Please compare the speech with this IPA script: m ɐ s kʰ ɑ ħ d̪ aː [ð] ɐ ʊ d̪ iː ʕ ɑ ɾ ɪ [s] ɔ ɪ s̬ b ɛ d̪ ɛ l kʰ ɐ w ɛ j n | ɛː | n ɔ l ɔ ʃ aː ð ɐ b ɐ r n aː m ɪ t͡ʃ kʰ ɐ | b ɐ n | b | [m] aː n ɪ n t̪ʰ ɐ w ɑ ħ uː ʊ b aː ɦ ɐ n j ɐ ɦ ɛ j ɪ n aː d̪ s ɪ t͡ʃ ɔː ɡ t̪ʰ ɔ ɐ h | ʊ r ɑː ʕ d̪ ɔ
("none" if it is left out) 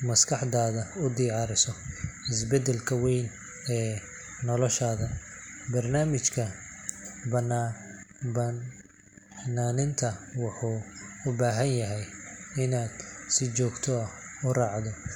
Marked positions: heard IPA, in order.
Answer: ð, s, n

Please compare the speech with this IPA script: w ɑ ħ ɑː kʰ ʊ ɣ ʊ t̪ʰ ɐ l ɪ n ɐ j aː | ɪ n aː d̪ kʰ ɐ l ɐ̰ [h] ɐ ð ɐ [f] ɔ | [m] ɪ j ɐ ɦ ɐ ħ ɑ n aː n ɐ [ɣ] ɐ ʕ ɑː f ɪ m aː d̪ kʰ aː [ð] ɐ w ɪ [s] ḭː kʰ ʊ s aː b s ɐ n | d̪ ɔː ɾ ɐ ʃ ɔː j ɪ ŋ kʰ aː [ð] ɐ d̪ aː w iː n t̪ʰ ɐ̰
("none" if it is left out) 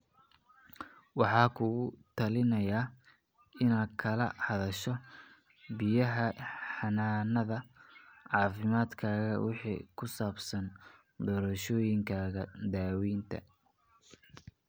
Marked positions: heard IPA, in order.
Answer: h, ʃ, b, ð, ɣ, ħ, ɣ

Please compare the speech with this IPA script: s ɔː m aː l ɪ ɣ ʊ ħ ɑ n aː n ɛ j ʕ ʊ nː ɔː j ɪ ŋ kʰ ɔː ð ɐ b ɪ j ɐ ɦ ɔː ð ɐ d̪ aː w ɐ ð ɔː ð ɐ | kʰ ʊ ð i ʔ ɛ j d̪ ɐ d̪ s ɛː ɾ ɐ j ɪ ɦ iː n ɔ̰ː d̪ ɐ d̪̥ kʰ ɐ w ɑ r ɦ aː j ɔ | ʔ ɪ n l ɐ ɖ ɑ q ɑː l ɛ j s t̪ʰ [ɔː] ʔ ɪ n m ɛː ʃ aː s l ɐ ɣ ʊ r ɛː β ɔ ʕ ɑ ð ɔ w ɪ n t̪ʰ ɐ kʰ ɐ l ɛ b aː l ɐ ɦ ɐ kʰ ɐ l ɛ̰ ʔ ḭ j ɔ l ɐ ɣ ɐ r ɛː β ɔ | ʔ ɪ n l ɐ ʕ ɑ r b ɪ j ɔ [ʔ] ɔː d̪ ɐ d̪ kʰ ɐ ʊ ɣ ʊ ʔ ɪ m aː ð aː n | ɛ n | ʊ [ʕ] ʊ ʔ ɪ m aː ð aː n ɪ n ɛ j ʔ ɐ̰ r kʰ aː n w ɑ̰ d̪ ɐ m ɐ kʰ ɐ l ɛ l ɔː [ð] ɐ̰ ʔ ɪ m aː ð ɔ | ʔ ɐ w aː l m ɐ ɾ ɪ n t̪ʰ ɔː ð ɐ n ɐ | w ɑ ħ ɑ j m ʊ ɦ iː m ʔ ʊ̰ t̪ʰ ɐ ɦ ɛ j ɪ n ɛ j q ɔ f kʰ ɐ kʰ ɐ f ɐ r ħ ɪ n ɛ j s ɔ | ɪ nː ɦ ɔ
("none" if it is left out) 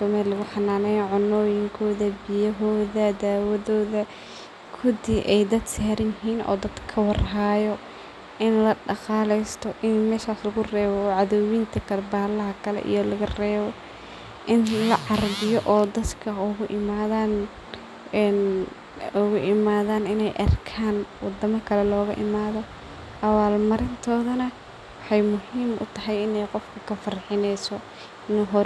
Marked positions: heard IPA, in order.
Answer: ɔ, ʔ, ɣ, ɣ

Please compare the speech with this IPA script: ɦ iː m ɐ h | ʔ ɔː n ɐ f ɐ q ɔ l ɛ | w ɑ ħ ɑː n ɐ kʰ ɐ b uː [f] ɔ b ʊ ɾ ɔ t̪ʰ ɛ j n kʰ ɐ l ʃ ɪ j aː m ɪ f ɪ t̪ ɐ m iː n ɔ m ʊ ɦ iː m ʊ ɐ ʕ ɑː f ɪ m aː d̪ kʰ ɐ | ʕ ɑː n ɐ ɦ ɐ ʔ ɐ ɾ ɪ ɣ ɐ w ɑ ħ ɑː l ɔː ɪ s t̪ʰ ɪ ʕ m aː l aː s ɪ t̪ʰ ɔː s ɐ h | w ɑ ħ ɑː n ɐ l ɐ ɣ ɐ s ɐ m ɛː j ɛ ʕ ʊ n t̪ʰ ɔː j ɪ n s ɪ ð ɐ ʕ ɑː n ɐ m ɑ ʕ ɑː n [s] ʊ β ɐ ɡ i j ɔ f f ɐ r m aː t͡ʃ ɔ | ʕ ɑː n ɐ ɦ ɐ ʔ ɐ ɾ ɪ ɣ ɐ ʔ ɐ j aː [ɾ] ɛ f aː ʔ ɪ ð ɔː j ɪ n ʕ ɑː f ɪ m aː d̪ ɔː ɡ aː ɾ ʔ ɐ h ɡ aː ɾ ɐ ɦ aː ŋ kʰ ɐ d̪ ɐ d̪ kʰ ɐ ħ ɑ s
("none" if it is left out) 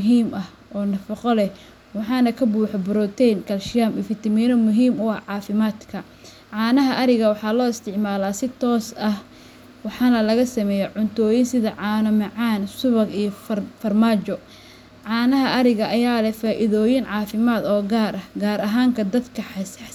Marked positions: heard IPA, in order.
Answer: ħ, s, l

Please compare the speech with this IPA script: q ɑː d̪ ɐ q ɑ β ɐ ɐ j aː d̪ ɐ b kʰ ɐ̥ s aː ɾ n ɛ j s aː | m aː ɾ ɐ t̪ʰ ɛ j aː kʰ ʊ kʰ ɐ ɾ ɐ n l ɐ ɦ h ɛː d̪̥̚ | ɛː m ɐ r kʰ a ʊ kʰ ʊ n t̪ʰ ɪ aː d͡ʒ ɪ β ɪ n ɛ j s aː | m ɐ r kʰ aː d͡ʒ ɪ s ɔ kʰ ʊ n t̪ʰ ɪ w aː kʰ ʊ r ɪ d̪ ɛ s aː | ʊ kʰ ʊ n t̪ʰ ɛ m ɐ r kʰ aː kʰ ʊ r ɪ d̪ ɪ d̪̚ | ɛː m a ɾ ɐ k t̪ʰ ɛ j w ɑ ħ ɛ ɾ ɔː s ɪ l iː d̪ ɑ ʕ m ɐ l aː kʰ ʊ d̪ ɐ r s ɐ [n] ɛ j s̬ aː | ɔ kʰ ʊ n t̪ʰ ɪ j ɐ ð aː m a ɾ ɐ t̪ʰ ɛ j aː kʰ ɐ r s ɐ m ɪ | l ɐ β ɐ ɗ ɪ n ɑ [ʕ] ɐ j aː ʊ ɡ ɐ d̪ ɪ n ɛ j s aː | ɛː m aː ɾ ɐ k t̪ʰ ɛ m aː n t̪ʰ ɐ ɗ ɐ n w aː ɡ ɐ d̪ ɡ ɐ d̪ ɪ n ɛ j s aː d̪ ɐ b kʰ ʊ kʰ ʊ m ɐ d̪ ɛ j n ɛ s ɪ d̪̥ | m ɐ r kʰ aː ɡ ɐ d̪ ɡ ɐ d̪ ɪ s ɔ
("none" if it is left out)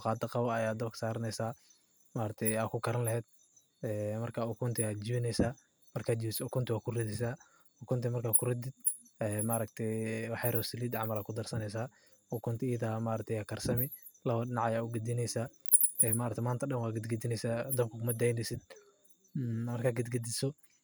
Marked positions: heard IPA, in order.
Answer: n, ʕ

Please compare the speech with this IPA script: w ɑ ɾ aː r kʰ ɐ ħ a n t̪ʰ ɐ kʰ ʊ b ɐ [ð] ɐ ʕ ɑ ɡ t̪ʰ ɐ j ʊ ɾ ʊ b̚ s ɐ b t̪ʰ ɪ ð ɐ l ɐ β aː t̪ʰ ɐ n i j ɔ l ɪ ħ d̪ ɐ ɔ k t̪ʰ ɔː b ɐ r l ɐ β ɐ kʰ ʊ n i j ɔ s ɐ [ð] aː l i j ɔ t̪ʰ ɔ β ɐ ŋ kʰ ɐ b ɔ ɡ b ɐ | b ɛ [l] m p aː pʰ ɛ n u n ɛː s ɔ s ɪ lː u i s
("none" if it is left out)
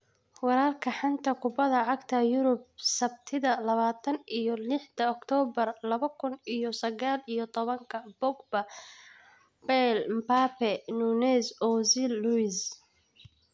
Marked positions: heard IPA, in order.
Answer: ð, ɣ, l

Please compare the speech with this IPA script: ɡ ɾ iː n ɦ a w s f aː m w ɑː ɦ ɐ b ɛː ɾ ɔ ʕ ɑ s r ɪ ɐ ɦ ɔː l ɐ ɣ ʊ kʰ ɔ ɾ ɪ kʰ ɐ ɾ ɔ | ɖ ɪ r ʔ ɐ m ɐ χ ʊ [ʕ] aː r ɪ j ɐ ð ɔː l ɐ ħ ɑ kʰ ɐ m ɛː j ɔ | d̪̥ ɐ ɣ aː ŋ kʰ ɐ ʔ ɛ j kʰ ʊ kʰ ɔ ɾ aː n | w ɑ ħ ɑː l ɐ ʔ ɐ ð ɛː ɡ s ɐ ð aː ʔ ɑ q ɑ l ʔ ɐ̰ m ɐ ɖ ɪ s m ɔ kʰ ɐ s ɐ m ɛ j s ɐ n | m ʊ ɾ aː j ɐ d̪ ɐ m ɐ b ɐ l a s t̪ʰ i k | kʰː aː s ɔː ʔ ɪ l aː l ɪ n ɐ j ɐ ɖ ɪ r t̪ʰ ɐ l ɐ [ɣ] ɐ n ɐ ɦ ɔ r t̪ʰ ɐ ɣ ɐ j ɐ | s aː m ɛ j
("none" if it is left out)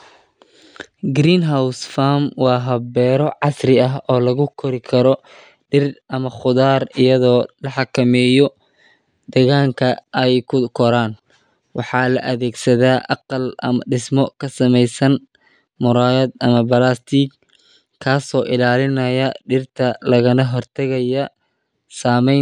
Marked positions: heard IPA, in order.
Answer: ð, ɣ

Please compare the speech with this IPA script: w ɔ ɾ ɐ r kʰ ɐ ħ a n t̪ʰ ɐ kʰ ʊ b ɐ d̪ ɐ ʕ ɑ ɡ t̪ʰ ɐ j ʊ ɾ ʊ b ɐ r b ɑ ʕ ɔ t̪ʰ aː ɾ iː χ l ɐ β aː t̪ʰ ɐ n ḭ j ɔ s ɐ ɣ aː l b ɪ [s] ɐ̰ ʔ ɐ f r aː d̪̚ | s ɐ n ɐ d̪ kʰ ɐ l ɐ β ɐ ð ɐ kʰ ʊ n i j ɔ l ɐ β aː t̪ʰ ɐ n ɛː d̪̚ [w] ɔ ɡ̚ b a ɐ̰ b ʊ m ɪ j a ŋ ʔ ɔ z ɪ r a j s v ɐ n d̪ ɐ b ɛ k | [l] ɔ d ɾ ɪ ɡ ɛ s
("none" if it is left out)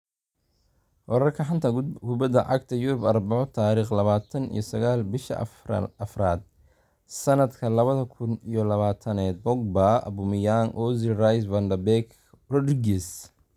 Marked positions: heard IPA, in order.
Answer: ʃ, b, r

